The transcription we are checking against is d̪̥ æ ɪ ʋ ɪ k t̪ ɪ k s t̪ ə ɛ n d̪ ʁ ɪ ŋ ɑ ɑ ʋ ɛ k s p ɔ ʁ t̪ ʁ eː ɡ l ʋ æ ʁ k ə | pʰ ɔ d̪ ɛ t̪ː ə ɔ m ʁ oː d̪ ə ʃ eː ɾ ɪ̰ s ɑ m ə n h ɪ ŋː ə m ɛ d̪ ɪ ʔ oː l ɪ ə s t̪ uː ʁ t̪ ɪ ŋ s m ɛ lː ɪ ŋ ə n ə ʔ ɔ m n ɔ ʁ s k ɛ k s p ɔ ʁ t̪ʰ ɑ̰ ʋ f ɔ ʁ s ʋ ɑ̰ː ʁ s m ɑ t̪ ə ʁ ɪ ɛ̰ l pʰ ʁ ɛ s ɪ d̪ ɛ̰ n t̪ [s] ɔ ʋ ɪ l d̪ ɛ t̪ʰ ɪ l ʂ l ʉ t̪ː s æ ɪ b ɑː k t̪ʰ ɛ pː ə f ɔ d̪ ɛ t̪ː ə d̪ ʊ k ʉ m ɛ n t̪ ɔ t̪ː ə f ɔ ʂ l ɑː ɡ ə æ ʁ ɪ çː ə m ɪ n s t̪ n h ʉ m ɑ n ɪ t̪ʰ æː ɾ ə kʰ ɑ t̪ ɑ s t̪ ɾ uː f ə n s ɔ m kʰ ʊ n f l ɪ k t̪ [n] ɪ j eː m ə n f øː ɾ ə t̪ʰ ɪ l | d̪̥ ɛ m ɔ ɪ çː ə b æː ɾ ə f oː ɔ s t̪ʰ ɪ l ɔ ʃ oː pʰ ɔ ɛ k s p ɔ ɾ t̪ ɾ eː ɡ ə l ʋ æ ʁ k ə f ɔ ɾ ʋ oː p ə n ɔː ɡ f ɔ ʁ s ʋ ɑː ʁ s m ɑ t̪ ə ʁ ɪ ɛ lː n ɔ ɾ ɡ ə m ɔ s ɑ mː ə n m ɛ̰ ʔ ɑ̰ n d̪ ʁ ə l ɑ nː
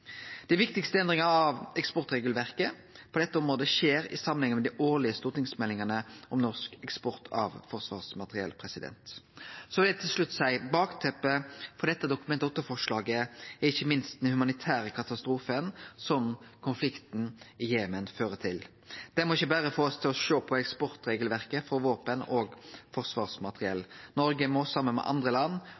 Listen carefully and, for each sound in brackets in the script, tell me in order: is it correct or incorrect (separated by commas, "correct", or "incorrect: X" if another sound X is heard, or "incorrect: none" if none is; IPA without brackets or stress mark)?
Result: correct, correct